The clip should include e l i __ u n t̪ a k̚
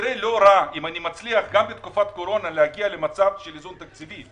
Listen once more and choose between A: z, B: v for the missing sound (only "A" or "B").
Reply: A